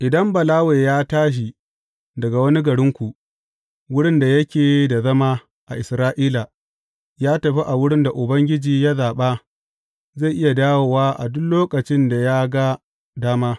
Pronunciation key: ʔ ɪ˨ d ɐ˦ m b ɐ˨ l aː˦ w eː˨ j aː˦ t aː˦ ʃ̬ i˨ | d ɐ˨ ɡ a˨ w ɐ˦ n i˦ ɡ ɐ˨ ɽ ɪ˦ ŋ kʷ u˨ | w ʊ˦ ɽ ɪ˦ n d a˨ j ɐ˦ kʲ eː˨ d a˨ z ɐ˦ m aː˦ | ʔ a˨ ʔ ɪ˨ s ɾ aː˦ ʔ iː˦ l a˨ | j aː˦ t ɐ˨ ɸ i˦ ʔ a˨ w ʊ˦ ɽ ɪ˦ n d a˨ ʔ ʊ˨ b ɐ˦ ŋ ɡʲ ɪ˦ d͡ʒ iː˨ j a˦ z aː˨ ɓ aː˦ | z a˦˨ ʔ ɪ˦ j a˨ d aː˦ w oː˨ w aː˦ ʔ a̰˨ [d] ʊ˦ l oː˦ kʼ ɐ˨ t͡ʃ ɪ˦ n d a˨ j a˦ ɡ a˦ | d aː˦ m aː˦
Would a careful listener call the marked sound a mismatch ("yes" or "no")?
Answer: no